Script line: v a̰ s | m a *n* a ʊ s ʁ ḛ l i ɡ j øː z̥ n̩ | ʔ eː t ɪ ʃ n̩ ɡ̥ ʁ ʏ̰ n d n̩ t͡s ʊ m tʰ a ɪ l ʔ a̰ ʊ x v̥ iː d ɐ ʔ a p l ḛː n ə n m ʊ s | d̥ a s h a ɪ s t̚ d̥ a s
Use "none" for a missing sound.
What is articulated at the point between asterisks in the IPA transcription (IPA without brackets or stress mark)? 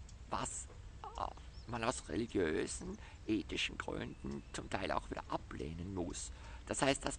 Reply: n